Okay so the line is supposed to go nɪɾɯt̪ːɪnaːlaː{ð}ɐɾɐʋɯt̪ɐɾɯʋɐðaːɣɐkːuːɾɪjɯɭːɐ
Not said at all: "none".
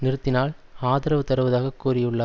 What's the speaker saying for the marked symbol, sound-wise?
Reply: ð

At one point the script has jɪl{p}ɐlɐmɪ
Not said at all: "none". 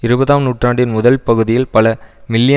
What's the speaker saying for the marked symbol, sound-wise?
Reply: p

